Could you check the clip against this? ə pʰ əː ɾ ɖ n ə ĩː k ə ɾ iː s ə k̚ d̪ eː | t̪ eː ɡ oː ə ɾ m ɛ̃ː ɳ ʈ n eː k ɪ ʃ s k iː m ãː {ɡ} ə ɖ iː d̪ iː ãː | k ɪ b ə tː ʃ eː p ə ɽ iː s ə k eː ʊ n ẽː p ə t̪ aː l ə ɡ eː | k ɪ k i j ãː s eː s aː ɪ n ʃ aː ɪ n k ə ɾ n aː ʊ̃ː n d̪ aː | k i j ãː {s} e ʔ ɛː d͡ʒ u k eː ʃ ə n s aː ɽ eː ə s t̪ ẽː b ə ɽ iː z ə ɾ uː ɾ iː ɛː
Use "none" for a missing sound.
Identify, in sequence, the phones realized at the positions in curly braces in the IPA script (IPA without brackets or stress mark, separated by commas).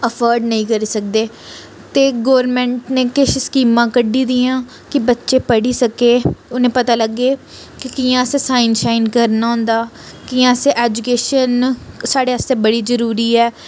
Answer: k, s